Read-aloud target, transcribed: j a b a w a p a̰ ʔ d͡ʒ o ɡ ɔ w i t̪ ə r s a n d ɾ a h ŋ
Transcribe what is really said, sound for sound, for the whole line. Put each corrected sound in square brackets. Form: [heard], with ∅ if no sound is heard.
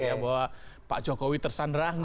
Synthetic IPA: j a b a w a p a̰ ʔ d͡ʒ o [k] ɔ w i t̪ ə r s a n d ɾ a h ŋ